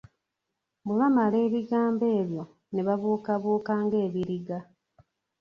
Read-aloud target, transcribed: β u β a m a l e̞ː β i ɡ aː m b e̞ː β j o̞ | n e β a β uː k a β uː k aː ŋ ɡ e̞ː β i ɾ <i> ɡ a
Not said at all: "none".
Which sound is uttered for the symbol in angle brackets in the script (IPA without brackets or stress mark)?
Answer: i